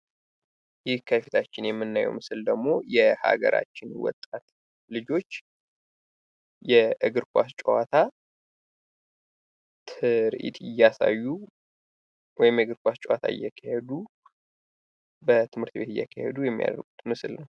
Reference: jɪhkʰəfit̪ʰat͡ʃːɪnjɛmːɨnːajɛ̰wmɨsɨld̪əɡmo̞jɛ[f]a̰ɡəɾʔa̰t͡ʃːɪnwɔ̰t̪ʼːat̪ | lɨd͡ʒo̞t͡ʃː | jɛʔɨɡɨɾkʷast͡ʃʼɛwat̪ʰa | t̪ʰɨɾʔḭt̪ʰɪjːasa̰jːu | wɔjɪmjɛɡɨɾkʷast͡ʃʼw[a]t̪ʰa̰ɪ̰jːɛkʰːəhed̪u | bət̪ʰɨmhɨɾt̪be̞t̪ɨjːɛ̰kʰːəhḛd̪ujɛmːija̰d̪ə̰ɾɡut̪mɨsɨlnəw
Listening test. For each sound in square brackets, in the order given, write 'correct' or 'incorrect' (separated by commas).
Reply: incorrect, correct